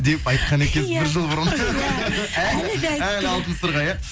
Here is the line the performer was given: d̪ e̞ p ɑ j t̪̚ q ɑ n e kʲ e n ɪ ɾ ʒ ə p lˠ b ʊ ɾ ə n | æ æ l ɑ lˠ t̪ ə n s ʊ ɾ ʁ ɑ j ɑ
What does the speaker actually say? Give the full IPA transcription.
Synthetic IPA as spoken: d̪ e̞ p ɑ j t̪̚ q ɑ n e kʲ e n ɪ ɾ ʒ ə lˠ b ʊ ɾ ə n | æ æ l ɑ lˠ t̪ ə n s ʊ ɾ ʁ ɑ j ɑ

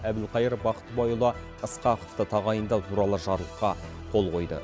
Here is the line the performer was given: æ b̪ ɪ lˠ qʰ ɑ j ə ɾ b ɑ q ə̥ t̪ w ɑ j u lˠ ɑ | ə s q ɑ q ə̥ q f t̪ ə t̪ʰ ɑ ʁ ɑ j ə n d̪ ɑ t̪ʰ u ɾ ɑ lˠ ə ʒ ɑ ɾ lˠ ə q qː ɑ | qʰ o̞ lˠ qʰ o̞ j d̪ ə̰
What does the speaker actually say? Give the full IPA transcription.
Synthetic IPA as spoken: æ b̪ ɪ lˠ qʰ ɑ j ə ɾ b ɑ q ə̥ t̪ b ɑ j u lˠ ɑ | ə s q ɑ q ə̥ f t̪ ə t̪ʰ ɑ ʁ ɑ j ə n d̪ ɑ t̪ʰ u ɾ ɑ lˠ ə ʒ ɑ ɾ lˠ ə q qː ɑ | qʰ o̞ lˠ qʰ o̞ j d̪ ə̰

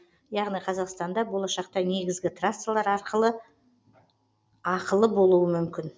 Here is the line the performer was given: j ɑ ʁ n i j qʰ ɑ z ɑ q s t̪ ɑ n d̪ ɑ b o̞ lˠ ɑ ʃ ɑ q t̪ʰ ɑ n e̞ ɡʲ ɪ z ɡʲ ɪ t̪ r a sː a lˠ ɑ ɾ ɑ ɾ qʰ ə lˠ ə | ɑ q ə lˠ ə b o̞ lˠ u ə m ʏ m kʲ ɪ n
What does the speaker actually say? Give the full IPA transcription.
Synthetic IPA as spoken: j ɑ ʁ n i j qʰ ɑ z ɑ q s t̪ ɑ n d̪ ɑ b o̞ lˠ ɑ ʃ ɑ q t̪ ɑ n e̞ ɡʲ ɪ z ɡʲ ɪ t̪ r a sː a lˠ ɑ ɾ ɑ ɾ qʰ ə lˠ ə | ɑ q ə lˠ ə b o̞ lˠ u ə m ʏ m kʲ ɪ n

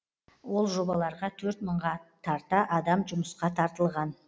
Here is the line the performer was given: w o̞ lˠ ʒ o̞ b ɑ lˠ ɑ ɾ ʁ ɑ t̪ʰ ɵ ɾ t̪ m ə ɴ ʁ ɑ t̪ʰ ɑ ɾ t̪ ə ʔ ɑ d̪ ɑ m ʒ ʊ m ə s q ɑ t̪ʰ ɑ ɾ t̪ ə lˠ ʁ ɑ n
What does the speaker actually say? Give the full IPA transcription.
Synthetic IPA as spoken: w o̞ lˠ ʒ o̞ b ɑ lˠ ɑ ɾ ʁ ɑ t̪ʰ ɵ ɾ t̪ m ə ɴ ʁ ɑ t̪ʰ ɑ ɾ t̪ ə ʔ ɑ d̪ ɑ m ʒ ʊ m ə s q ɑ t̪ʰ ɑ ɾ t̪ ə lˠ ʁ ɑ n

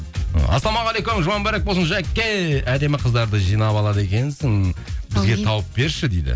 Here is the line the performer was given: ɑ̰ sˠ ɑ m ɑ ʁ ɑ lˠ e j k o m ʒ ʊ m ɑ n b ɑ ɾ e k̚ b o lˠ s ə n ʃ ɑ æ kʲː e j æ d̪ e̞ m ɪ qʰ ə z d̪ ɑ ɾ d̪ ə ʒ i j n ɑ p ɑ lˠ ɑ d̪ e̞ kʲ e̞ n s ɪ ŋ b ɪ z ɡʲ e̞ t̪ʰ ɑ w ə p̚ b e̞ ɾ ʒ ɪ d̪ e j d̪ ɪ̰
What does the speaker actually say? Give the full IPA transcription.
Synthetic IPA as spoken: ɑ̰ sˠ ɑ m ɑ ʁ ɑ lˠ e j k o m ʒ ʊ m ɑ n b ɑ ɾ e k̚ b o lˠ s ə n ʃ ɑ æ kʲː e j æ d̪ e̞ m ɪ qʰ ə z d̪ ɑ ɾ d̪ ə ʒ i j n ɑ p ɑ lˠ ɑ d̪ e̞ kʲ e̞ n s ɪ ŋ b ɪ z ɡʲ e̞ t̪ʰ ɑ w ə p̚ b e̞ ɾ ʃ ɪ d̪ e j d̪ ɪ̰

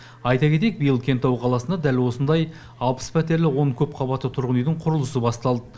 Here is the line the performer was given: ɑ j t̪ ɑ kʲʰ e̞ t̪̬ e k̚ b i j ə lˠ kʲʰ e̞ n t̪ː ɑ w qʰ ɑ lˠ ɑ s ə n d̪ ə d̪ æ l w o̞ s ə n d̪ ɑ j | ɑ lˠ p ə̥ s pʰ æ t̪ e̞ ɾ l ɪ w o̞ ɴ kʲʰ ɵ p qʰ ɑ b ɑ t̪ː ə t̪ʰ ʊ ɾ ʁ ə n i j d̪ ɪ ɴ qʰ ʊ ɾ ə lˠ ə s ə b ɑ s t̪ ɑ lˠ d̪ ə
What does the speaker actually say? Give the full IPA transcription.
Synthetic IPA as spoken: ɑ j t̪ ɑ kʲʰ e̞ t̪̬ e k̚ b i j ə lˠ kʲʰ e̞ n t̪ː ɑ w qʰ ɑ lˠ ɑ s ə n d̪ ɑ d̪ æ l w o̞ s ə n d̪ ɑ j | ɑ lˠ p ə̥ s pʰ æ t̪ e̞ ɾ l ɪ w o̞ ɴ kʲʰ ɵ p qʰ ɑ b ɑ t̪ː ə t̪ʰ ʊ ɾ ʁ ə n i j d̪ ɪ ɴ qʰ ʊ ɾ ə lˠ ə s ə b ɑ s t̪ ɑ lˠ d̪ ə

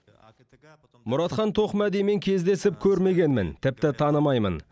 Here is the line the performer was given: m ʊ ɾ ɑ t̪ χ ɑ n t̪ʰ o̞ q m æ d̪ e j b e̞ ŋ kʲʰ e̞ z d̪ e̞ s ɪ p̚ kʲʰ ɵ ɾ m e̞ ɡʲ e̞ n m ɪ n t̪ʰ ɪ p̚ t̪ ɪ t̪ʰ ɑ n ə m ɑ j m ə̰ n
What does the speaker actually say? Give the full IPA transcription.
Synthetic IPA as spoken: m ʊ ɾ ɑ t̪ χ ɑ n t̪ʰ o̞ q m æ d̪ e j m e̞ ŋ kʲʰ e̞ z d̪ e̞ s ɪ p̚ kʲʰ ɵ ɾ m e̞ ɡʲ e̞ n m ɪ n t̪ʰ ɪ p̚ t̪ ɪ t̪ʰ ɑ n ə m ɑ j m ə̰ n

